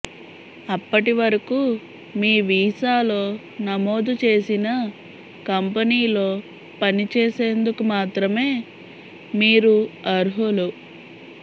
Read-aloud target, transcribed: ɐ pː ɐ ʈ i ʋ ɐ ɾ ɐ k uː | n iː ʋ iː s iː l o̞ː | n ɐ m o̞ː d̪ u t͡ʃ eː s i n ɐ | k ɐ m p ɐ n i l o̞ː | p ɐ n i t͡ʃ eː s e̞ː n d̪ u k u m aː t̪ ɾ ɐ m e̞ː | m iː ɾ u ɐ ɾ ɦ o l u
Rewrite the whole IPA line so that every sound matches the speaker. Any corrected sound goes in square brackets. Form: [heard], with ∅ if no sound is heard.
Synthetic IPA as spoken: ɐ pː ɐ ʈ i ʋ ɐ ɾ ɐ k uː | [m] iː ʋ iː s [aː] l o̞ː | n ɐ m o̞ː d̪ u t͡ʃ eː s i n ɐ | k ɐ m p ɐ n [iː] l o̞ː | p ɐ n i t͡ʃ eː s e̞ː n d̪ u k u m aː t̪ ɾ ɐ m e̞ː | m iː ɾ u ɐ ɾ ɦ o l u

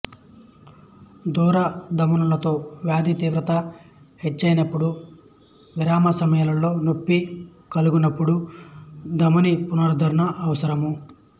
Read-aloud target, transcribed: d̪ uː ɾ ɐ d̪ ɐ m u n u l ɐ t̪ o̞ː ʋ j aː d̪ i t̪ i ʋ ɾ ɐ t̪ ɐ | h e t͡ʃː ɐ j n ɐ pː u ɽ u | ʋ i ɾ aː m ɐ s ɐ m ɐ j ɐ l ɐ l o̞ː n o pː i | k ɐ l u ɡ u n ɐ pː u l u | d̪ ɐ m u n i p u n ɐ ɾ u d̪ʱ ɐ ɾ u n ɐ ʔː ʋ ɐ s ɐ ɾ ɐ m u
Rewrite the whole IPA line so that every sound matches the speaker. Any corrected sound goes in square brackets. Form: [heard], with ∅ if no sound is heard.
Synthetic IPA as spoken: d̪ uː ɾ ɐ d̪ ɐ m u n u l ɐ t̪ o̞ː ʋ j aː d̪ i t̪ [iː] ʋ ɾ ɐ t̪ ɐ | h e t͡ʃː ɐ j n ɐ pː u ɽ u | ʋ i ɾ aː m ɐ s ɐ m ɐ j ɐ l ɐ l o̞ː n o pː i | k ɐ l u ɡ u n ɐ pː u [ɽ] u | d̪ ɐ m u n i p u n ɐ ɾ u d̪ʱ ɐ ɾ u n ɐ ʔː ʋ ɐ s ɐ ɾ ɐ m u

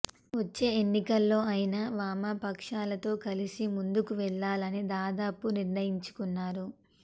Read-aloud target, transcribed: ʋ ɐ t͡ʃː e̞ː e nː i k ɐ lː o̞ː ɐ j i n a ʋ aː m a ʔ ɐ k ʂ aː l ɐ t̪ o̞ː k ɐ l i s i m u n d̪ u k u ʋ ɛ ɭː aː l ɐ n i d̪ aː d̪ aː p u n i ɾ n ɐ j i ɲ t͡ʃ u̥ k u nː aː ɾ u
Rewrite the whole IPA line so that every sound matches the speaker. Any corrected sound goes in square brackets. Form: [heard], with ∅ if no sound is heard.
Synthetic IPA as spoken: ʋ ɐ t͡ʃː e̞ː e nː i k ɐ lː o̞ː ɐ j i n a ʋ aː m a [p] ɐ k ʂ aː l ɐ t̪ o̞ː k ɐ l i s i m u n d̪ u k u ʋ ɛ ɭː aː l ɐ n i d̪ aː d̪ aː p u n i ɾ n ɐ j i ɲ t͡ʃ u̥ k u nː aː ɾ u

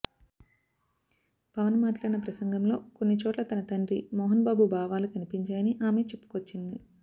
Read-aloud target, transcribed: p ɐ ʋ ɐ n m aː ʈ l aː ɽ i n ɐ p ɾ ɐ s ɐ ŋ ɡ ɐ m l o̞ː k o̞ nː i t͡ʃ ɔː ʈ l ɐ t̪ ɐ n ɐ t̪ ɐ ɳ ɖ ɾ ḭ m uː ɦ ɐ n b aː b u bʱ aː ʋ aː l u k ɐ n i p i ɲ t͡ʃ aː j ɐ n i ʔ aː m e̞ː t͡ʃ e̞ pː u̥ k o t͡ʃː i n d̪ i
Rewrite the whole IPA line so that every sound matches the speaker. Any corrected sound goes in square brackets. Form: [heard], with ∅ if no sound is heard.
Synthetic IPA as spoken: p ɐ ʋ ɐ n m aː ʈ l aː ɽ i n ɐ p ɾ ɐ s ɐ ŋ ɡ ɐ m l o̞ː k o̞ nː i t͡ʃ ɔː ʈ l ɐ t̪ ɐ n ɐ t̪ ɐ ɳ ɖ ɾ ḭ m [ɔː] ɦ ɐ n b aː b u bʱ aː ʋ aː l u k ɐ n i p i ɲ t͡ʃ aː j ɐ n i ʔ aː m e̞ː t͡ʃ e̞ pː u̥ k o t͡ʃː i n d̪ i

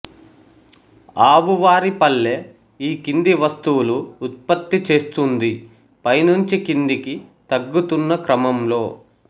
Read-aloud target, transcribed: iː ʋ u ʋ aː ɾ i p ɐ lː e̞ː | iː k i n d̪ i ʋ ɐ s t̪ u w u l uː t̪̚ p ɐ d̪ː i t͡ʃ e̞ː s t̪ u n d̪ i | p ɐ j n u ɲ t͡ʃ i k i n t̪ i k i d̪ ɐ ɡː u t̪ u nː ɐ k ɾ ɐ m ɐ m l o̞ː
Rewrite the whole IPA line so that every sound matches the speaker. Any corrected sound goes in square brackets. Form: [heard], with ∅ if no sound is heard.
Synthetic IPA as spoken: [aː] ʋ u ʋ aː ɾ i p ɐ lː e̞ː | iː k i n d̪ i ʋ ɐ s t̪ u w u l uː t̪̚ p ɐ [t̪ː] i t͡ʃ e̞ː s t̪ u n d̪ i | p ɐ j n u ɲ t͡ʃ i k i n [d̪] i k i [t̪] ɐ ɡː u t̪ u nː ɐ k ɾ ɐ m ɐ m l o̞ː

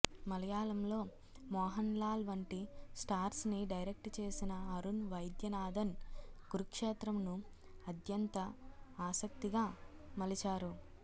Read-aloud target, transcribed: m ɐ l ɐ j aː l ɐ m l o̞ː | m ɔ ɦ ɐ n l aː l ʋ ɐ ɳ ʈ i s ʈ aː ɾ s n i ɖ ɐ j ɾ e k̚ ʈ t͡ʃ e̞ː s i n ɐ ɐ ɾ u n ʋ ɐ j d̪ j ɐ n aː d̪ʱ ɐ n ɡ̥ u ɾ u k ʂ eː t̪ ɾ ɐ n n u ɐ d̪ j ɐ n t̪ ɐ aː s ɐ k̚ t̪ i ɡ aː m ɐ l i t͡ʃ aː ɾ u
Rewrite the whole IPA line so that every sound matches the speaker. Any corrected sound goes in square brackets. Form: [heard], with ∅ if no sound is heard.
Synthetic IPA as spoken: m ɐ l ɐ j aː l ɐ m l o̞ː | m [ɔː] ɦ ɐ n l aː l ʋ ɐ ɳ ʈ i s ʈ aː ɾ s n i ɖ ɐ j ɾ e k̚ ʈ t͡ʃ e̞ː s i n ɐ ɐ ɾ u n ʋ ɐ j d̪ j ɐ n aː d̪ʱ ɐ n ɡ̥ u ɾ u k ʂ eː t̪ ɾ ɐ [m] n u ɐ d̪ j ɐ n t̪ ɐ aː s ɐ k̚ t̪ i ɡ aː m ɐ l i t͡ʃ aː ɾ u

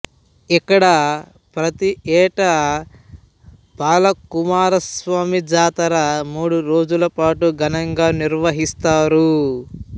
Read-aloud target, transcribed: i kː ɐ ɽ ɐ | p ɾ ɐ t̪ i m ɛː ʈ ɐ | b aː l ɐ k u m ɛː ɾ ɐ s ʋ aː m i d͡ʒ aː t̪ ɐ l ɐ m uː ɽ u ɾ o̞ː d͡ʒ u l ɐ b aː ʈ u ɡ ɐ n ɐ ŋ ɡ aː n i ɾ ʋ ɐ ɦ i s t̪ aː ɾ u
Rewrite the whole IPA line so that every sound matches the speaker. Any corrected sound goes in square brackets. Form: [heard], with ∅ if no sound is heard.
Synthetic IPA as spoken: i kː ɐ ɽ ɐ | p ɾ ɐ t̪ i [∅] ɛː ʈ ɐ | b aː l ɐ k u m [aː] ɾ ɐ s ʋ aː m i d͡ʒ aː t̪ ɐ [ɾ] ɐ m uː ɽ u ɾ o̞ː d͡ʒ u l ɐ [p] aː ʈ u ɡ ɐ n ɐ ŋ ɡ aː n i ɾ ʋ ɐ ɦ i s t̪ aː ɾ u

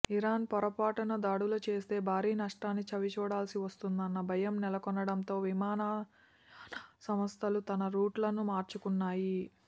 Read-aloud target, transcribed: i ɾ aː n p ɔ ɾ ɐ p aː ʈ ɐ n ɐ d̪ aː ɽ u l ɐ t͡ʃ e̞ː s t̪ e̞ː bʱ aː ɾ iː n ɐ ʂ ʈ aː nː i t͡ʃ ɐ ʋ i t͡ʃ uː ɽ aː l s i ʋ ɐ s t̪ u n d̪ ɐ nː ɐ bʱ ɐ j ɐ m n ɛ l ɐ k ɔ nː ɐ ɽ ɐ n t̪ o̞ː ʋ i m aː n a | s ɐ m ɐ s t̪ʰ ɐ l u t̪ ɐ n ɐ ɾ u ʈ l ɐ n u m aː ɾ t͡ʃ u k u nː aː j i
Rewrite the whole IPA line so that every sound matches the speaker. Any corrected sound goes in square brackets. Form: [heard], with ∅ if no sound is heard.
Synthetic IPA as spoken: i ɾ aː n p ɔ ɾ ɐ p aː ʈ ɐ n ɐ d̪ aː ɽ u l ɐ t͡ʃ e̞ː s t̪ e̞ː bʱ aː ɾ iː n ɐ ʂ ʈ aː nː i t͡ʃ ɐ ʋ i t͡ʃ uː ɽ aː l s i ʋ ɐ s t̪ u n d̪ ɐ nː ɐ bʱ ɐ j ɐ m n ɛ l ɐ k ɔ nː ɐ ɽ ɐ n t̪ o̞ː ʋ i m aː n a | s ɐ m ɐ s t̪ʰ ɐ l u t̪ ɐ n ɐ ɾ [uː] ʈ l ɐ n u m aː ɾ t͡ʃ u k u nː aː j i

